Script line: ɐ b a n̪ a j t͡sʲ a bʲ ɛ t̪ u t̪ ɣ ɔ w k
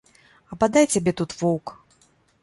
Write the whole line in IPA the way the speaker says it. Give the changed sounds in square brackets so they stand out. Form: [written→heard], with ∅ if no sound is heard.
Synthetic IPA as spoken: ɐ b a [n̪→d̪] a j t͡sʲ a bʲ ɛ t̪ u t̪ [ɣ→v] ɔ w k